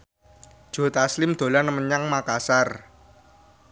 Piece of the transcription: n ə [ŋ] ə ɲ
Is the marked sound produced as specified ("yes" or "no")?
no